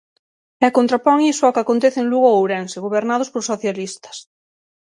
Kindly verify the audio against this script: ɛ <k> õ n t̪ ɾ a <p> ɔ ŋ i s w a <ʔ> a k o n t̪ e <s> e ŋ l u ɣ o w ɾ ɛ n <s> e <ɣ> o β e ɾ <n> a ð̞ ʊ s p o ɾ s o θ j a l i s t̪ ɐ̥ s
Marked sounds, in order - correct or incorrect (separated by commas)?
correct, correct, incorrect, incorrect, correct, correct, correct